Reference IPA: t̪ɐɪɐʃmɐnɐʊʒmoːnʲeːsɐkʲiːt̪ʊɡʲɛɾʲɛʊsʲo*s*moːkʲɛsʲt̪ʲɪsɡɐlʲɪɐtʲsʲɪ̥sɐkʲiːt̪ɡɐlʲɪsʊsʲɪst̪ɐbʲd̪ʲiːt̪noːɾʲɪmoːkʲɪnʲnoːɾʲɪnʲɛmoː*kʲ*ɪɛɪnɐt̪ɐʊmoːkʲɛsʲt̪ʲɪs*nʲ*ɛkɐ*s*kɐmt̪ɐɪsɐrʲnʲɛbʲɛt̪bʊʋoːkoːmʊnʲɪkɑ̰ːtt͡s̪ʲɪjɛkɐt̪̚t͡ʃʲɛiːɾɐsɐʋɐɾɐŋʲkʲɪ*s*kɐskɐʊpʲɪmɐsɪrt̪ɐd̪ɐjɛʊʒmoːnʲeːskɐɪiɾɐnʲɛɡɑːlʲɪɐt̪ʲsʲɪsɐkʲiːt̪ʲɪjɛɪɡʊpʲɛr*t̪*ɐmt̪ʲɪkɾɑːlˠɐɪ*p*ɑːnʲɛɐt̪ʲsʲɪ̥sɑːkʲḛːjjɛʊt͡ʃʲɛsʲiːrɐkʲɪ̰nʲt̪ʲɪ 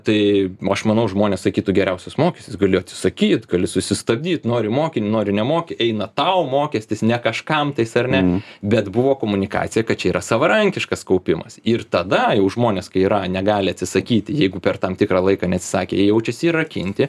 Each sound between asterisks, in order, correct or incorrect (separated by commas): correct, correct, correct, incorrect, incorrect, correct, incorrect